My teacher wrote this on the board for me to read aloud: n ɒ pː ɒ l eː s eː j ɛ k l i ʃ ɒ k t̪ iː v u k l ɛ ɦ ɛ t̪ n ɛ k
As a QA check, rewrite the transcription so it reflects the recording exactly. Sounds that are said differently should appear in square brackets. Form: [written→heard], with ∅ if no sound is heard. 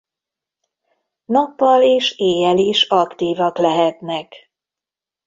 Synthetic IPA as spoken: n ɒ pː ɒ l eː [s→ʃ] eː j ɛ [k→∅] l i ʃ ɒ k t̪ iː v [u→ɒ] k l ɛ ɦ ɛ t̪ n ɛ k